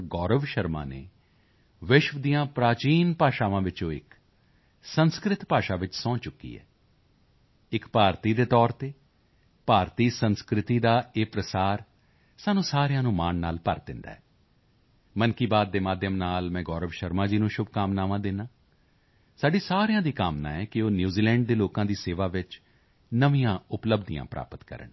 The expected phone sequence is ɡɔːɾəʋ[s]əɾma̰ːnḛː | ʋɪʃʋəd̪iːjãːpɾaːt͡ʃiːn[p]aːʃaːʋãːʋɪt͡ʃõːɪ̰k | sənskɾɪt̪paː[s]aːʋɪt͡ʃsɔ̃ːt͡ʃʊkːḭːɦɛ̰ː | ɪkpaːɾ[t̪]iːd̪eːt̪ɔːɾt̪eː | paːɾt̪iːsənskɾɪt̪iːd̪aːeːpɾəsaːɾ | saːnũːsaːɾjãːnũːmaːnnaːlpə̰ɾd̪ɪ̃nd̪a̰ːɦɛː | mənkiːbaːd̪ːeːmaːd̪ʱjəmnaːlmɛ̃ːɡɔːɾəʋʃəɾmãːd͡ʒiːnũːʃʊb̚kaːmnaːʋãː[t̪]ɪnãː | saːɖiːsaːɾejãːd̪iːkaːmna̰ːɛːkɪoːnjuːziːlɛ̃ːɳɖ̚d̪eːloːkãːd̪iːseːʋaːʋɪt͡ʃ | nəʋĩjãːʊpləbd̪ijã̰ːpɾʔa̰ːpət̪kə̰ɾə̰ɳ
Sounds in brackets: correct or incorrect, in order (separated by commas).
incorrect, correct, incorrect, correct, incorrect